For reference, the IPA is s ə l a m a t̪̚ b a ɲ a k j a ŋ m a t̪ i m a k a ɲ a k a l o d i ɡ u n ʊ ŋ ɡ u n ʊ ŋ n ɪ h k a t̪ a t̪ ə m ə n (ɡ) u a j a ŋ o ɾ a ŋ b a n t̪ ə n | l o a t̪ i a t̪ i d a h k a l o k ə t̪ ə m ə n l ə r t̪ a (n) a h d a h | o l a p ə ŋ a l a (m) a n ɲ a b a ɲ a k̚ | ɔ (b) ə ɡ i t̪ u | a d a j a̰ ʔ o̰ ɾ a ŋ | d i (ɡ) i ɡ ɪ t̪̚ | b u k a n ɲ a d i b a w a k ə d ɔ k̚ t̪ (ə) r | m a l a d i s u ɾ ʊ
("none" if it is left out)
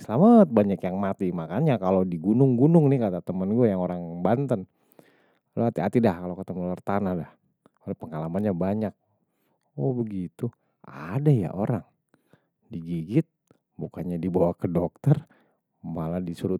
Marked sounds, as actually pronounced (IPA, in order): ɡ, n, m, b, ɡ, ə

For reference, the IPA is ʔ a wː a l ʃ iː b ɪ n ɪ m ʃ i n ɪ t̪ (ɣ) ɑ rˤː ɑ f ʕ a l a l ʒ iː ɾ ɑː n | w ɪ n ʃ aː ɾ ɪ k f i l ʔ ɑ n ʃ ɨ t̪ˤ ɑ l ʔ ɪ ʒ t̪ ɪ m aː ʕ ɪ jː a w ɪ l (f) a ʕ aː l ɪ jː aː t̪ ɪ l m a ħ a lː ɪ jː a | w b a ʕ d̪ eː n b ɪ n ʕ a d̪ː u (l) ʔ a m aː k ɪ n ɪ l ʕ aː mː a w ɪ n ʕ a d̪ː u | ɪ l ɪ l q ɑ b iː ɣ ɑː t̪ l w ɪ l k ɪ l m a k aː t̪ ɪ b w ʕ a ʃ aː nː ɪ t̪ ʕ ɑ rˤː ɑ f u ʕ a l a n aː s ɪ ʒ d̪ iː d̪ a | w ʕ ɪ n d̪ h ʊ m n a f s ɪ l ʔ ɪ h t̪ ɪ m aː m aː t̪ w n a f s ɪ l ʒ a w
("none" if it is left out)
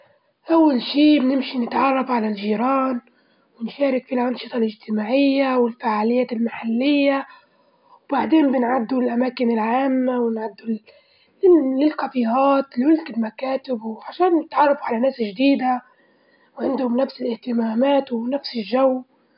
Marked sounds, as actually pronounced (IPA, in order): ʕ, f, l

